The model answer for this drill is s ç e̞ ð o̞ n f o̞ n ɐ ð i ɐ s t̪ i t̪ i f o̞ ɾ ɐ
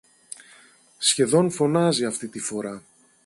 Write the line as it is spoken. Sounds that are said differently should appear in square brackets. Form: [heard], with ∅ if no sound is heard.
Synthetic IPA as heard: s ç e̞ ð o̞ n f o̞ n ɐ [z] i ɐ [f] t̪ i t̪ i f o̞ ɾ ɐ